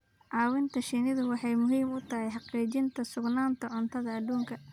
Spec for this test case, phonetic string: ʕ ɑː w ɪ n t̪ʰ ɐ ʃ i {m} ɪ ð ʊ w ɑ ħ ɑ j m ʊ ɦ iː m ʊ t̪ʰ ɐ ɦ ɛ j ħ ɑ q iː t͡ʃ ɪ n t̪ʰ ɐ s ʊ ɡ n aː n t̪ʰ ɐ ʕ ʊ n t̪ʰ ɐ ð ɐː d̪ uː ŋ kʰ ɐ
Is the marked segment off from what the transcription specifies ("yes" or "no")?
yes